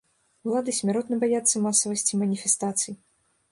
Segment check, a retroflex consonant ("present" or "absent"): absent